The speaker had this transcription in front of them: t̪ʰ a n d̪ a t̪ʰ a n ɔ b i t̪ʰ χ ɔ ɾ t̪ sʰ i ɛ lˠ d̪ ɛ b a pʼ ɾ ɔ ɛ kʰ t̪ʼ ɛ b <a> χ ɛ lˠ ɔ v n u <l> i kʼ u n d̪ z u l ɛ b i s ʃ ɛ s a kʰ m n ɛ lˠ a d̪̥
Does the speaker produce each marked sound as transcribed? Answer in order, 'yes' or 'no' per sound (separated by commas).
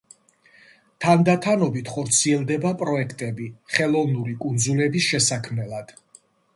no, no